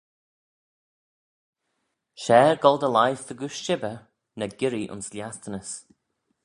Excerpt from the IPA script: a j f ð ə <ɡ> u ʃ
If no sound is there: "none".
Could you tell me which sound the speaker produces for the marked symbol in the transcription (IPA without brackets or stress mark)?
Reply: ɡ